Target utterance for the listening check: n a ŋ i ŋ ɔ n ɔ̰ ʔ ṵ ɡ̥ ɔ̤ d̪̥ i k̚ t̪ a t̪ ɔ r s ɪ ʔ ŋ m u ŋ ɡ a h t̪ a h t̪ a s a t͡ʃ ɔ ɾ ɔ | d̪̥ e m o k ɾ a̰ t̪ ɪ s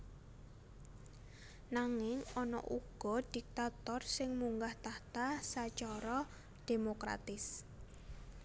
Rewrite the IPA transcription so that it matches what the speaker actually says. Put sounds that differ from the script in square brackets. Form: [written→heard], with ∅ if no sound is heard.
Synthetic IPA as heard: n a ŋ [i→ɪ] ŋ ɔ n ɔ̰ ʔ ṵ ɡ̥ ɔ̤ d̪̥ i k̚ t̪ a t̪ ɔ r s ɪ [ʔ→∅] ŋ m u ŋ ɡ a h t̪ a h t̪ a s a t͡ʃ ɔ ɾ ɔ | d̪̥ e m o k ɾ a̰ t̪ ɪ s